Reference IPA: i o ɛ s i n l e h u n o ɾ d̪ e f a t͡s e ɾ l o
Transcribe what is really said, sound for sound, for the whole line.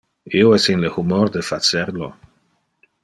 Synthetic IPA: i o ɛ s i n l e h u m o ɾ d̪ e f a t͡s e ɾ l o